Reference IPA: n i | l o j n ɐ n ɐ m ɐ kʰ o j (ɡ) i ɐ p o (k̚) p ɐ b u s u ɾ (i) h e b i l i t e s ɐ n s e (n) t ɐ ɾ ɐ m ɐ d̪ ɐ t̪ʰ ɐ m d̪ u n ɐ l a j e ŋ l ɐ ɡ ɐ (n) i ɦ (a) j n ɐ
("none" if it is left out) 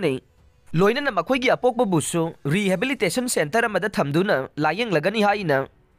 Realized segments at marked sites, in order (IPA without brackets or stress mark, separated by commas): ɡ, k̚, i, n, n, a